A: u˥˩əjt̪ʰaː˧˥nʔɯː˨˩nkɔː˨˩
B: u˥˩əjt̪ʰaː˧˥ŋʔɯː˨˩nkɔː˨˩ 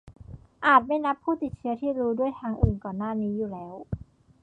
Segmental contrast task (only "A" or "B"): B